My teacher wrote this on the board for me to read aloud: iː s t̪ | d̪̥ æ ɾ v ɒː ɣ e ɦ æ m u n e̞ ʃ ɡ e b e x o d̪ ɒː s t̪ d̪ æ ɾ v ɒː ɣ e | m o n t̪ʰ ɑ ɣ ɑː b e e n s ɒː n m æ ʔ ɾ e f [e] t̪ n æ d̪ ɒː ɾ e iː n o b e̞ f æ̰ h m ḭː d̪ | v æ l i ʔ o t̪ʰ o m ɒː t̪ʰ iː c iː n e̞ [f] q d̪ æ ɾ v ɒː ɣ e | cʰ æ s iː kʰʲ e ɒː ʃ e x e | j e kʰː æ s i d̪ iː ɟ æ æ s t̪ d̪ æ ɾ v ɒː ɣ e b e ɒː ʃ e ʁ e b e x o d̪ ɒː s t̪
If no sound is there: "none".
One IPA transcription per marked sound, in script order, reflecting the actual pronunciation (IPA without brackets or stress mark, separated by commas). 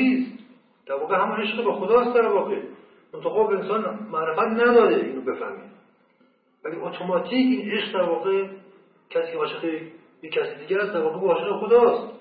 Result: æ, ʃ